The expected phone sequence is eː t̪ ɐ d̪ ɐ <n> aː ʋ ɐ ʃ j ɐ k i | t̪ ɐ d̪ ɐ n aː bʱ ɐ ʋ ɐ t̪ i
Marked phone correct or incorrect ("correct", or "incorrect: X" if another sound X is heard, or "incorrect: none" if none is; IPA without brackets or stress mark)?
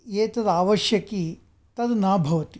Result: incorrect: none